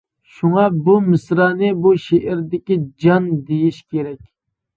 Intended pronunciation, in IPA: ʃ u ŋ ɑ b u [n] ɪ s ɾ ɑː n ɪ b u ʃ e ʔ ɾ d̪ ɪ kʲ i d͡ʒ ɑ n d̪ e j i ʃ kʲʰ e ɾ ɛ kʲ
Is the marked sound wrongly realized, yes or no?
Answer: yes